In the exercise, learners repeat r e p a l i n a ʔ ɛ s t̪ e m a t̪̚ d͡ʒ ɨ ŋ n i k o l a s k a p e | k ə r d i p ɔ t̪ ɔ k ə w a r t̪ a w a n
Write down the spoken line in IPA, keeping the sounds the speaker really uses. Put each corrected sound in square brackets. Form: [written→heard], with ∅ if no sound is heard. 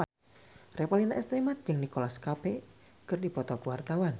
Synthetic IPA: r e p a l i n a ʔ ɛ s t̪ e m a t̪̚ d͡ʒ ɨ ŋ n i k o l a s k a p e | k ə r d i p ɔ t̪ ɔ k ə w a r t̪ a w a n